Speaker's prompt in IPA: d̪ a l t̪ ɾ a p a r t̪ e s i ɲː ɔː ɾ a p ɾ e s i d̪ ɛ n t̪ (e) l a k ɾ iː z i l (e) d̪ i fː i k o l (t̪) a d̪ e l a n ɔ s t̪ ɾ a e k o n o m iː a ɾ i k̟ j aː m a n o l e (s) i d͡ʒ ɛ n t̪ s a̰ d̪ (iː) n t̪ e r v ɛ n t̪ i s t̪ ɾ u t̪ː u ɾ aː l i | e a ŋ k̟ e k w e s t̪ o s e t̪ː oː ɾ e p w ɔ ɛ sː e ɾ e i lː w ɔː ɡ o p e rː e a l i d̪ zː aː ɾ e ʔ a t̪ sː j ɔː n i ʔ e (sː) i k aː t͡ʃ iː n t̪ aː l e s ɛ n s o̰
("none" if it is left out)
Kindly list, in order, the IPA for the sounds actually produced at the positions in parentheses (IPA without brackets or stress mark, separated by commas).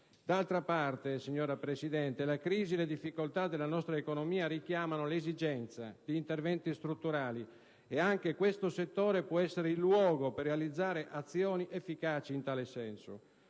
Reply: e, e, t̪, z, iː, fː